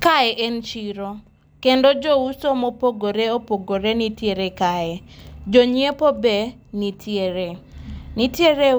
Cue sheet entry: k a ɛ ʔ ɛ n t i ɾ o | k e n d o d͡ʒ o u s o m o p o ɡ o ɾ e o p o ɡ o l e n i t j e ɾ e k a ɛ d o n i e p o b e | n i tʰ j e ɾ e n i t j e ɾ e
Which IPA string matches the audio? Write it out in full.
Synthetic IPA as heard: k a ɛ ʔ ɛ n t͡ʃ i ɾ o | k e n d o d͡ʒ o u s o m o p o ɡ o ɾ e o p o ɡ o ɾ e n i t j e ɾ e k a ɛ d͡ʒ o ɲ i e p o b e | n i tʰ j e ɾ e n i t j e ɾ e